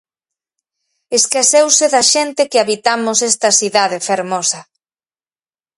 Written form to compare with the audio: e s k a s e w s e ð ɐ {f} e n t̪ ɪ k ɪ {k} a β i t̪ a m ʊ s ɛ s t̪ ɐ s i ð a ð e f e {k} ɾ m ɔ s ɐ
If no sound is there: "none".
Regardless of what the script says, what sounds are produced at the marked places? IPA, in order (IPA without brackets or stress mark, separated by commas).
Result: ʃ, none, none